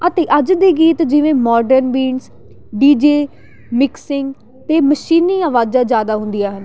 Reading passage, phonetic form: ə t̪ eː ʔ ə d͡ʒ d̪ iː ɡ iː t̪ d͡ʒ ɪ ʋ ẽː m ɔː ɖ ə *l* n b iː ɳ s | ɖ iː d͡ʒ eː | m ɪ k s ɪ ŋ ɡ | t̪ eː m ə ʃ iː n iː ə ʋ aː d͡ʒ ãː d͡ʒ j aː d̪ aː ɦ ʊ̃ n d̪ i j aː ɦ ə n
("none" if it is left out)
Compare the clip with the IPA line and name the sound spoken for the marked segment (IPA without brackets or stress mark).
ɾ